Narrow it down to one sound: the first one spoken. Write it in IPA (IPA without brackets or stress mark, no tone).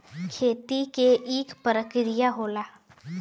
kʰ